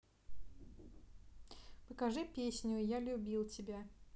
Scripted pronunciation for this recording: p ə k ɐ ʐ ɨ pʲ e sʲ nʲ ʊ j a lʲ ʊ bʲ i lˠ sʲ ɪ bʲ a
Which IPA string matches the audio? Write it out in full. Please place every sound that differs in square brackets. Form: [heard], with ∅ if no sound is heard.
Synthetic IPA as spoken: p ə k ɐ ʐ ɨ pʲ e sʲ nʲ ʊ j a lʲ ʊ bʲ i lˠ [tʲ] ɪ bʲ a